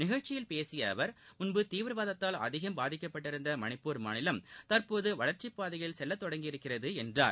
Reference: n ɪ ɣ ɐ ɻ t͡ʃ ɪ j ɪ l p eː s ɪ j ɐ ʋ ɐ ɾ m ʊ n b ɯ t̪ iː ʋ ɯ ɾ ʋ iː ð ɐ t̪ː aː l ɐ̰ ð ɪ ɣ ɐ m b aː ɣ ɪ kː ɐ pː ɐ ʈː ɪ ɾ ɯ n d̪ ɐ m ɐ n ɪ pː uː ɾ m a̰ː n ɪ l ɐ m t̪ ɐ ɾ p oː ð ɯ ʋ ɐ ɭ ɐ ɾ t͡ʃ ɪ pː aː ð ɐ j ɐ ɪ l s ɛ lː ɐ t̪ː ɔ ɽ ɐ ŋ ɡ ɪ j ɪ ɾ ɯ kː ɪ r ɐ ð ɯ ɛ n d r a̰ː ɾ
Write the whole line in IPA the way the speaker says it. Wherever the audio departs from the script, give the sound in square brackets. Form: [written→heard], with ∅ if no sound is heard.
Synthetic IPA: n ɪ ɣ ɐ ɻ t͡ʃ ɪ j ɪ l p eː s ɪ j ɐ ʋ ɐ ɾ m ʊ n b ɯ t̪ iː ʋ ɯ ɾ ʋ [iː→aː] ð ɐ t̪ː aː l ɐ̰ ð ɪ ɣ ɐ m b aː [ɣ→ð] ɪ kː ɐ pː ɐ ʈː ɪ ɾ ɯ n d̪ ɐ m ɐ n ɪ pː uː ɾ m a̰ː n ɪ l ɐ m t̪ ɐ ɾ p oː ð ɯ ʋ ɐ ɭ ɐ ɾ t͡ʃ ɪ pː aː ð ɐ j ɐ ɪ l s ɛ lː ɐ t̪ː ɔ ɽ ɐ ŋ ɡ ɪ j ɪ ɾ ɯ kː ɪ r ɐ ð ɯ ɛ n d r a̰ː ɾ